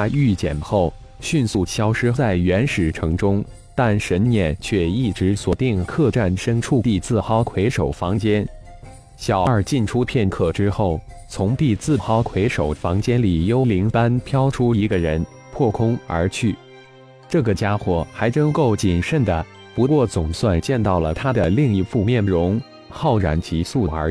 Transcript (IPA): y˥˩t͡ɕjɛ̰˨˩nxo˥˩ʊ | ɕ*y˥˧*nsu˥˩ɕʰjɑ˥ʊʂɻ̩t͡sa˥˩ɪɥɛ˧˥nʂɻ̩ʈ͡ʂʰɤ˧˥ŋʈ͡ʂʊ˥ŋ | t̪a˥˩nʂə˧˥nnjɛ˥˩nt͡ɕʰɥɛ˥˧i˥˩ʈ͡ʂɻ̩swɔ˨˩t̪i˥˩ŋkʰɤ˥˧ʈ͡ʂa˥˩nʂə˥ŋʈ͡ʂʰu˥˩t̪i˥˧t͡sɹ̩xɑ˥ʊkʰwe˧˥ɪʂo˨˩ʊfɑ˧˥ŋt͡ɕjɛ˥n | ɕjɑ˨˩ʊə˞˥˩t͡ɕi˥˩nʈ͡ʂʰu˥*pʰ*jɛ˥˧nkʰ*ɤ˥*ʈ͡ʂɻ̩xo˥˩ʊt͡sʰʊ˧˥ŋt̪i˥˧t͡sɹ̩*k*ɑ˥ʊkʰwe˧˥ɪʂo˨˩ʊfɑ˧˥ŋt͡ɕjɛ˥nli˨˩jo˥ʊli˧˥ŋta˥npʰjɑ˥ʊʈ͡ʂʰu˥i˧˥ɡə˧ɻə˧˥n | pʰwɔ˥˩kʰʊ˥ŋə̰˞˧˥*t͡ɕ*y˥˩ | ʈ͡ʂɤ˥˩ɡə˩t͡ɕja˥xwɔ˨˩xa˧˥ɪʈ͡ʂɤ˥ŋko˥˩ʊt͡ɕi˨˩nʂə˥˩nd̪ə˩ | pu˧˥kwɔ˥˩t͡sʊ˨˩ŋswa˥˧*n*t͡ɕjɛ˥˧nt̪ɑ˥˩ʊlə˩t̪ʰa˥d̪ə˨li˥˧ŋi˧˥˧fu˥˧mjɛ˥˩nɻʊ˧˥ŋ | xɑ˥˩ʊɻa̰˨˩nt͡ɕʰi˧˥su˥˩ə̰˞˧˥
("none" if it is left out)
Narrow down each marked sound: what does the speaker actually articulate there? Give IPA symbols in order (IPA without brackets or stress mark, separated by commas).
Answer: y˥˧, pʰ, ɤ˥˩, x, t͡ɕʰ, n